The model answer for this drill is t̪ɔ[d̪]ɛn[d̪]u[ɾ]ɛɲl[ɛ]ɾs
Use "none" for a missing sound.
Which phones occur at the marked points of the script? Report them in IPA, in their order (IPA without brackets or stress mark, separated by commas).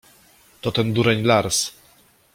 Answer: t̪, d̪, ɾ, a